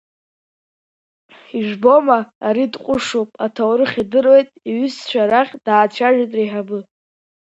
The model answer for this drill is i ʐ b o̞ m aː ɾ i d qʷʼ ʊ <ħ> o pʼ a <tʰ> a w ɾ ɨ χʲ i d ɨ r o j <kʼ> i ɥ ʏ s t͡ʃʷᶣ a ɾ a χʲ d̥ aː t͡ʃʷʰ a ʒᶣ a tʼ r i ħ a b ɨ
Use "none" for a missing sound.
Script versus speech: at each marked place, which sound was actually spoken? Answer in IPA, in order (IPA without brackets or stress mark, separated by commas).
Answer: ʂ, tʰ, tʼ